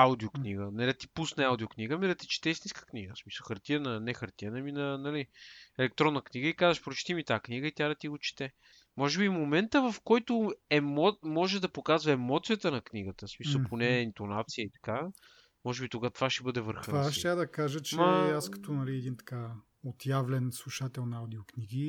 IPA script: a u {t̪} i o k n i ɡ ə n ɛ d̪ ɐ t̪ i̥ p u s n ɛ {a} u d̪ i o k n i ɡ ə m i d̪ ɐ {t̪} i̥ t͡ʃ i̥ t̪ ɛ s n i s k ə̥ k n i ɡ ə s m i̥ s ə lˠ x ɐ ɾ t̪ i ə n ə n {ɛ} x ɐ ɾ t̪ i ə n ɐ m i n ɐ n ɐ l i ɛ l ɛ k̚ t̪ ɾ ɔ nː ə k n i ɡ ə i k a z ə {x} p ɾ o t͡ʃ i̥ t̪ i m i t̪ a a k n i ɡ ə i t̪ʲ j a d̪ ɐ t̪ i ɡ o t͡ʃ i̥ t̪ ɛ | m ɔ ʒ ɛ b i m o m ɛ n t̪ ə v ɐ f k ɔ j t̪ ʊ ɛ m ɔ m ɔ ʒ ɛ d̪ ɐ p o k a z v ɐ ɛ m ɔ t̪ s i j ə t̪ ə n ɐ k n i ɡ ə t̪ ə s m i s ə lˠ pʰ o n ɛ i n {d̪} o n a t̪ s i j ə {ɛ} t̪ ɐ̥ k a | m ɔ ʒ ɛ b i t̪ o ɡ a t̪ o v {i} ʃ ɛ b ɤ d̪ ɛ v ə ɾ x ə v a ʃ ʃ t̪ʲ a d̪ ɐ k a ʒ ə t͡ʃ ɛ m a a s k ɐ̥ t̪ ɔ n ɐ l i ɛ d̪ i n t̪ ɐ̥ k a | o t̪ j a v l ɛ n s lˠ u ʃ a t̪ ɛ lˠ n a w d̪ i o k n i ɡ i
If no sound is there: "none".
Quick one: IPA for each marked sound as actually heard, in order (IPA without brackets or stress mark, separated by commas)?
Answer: d̪, a, t̪, ɛ, ʃ, t̪, i, a